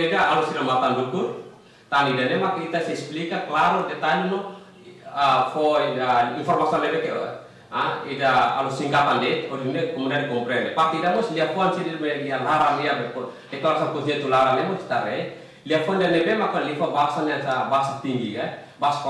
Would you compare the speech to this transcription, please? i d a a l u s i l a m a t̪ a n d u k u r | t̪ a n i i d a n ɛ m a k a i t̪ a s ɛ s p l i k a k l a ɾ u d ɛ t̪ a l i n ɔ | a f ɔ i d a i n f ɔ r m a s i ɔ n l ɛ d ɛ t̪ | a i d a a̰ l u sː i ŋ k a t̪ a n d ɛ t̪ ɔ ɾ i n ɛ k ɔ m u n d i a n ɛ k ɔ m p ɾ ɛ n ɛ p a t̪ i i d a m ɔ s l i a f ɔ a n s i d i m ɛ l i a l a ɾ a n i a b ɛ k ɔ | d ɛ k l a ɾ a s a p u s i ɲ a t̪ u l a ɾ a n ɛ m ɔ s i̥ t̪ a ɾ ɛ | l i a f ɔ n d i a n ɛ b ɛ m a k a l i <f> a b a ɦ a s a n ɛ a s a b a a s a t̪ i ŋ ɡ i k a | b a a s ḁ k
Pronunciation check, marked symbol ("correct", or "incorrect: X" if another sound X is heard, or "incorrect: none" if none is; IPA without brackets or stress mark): correct